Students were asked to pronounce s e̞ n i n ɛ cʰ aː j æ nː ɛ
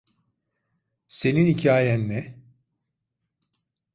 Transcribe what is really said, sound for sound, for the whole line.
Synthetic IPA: s e̞ n i n i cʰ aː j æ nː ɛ